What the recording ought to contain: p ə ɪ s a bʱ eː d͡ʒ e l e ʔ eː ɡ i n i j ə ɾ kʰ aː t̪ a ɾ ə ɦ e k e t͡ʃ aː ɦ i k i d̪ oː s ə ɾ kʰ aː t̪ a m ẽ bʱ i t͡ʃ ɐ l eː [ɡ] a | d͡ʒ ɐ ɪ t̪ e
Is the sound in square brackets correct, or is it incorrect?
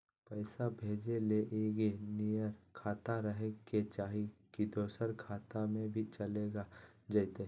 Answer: correct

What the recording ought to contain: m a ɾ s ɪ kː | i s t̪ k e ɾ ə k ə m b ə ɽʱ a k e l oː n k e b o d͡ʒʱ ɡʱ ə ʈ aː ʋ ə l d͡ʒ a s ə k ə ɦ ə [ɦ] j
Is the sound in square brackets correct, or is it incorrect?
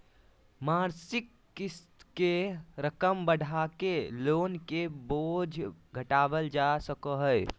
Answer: incorrect: none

